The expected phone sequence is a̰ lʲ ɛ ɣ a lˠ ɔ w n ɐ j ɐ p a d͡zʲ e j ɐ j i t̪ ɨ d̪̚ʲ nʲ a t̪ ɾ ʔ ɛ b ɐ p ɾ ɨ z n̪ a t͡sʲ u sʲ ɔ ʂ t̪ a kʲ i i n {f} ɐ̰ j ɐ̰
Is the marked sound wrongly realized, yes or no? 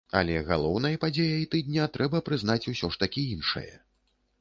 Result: yes